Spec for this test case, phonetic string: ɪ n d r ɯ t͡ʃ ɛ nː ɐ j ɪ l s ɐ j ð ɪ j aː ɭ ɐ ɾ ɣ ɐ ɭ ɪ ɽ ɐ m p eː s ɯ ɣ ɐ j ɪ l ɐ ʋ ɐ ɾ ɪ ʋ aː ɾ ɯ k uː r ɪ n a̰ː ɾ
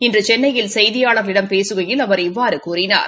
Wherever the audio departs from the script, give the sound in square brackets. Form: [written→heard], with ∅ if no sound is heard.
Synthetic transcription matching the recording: ɪ n d r ɯ t͡ʃ ɛ nː ɐ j ɪ l s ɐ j ð ɪ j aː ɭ ɐ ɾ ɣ ɐ ɭ ɪ ɽ ɐ m p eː s ɯ ɣ ɐ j ɪ l ɐ ʋ ɐ ɾ ɪ [ʋ→ʋː] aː ɾ ɯ k uː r ɪ n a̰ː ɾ